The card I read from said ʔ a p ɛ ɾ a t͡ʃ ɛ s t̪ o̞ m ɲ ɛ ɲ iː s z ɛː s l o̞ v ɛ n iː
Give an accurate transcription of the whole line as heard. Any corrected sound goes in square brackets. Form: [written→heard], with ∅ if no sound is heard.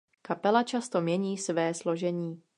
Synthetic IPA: [ʔ→k] a p ɛ [ɾ→l] a t͡ʃ [ɛ→a] s t̪ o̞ m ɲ ɛ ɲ iː s [z→v] ɛː s l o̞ [v→ʒ] ɛ [n→ɲ] iː